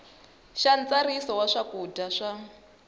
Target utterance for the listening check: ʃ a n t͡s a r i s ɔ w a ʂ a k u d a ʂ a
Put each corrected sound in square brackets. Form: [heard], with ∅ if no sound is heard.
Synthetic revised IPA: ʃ a n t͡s a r i s ɔ w a ʂ a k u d a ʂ a